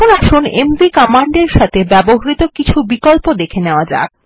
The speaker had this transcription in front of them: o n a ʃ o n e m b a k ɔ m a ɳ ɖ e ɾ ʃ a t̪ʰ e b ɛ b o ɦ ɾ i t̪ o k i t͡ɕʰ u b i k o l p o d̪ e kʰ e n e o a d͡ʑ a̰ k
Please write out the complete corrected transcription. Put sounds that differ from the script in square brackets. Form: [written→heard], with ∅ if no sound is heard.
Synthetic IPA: o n a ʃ o n e m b [a→i] k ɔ m a ɳ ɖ e ɾ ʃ a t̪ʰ e b ɛ b o ɦ ɾ i t̪ o k i t͡ɕʰ u b i k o l p o d̪ e kʰ e n e o a d͡ʑ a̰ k